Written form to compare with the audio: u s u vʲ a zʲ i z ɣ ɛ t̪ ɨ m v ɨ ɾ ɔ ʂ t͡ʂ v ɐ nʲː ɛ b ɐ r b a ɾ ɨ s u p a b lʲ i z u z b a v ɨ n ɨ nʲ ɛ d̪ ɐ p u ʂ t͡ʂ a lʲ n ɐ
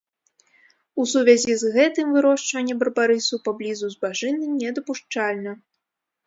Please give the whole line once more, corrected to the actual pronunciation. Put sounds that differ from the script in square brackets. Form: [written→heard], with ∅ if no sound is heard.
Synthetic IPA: u s u vʲ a zʲ i z ɣ ɛ t̪ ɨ m v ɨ ɾ ɔ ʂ t͡ʂ v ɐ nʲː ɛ b ɐ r b a ɾ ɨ s u p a b lʲ i z u z b a [v→ʐ] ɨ n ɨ nʲ ɛ d̪ ɐ p u ʂ t͡ʂ a lʲ n ɐ